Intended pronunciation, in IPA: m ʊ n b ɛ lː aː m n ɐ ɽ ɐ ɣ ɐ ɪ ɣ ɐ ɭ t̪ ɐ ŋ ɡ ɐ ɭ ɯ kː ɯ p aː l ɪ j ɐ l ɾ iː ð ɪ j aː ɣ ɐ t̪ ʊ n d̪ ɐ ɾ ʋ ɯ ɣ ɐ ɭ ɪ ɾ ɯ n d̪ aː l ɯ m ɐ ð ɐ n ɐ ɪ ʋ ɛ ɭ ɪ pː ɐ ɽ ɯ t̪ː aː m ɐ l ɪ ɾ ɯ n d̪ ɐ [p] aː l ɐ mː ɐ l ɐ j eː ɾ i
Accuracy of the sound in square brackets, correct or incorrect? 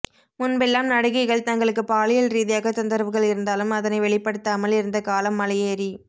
incorrect